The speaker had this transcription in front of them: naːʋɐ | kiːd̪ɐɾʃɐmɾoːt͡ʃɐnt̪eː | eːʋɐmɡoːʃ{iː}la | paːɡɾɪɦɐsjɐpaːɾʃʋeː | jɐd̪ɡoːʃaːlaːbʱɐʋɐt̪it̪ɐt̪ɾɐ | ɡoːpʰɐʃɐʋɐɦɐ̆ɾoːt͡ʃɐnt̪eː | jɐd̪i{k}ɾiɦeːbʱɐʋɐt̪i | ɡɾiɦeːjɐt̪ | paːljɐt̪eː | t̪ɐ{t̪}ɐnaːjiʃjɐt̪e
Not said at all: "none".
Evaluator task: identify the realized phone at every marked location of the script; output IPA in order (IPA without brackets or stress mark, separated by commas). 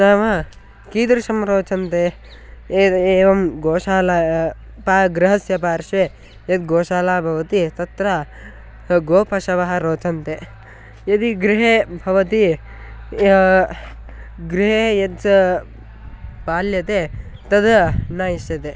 aː, ɡ, d̪